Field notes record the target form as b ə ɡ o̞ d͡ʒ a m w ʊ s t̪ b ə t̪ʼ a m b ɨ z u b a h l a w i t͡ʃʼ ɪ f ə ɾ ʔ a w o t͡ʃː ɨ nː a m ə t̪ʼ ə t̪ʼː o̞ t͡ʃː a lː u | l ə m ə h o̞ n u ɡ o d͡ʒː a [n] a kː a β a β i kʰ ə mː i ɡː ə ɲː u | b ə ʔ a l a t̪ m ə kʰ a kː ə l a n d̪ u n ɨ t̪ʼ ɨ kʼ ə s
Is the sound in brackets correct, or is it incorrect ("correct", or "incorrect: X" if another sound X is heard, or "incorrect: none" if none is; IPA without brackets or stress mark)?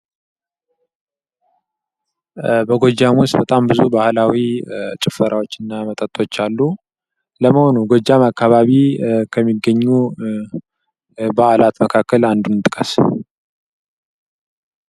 incorrect: m